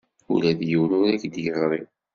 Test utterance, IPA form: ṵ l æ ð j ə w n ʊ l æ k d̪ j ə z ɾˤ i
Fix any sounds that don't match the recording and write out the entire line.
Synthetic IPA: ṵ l æ ð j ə w n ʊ ɾ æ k d̪ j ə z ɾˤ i